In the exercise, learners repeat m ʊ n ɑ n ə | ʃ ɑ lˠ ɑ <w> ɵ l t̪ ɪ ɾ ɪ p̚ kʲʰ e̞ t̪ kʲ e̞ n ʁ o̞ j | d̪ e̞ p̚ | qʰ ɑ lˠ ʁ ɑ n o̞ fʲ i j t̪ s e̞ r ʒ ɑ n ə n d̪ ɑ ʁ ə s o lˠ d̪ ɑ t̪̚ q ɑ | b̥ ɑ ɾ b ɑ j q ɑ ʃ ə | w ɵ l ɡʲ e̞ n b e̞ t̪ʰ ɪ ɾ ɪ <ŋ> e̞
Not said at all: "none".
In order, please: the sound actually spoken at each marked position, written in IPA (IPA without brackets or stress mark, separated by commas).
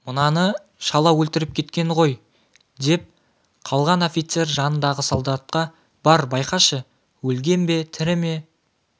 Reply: w, m